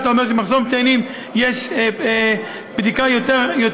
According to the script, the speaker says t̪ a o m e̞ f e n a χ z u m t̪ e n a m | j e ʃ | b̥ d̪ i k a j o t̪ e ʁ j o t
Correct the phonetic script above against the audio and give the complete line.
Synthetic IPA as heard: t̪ a o m e̞ ʃ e m a χ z o m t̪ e n i m | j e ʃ | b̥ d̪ i k a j o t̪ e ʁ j o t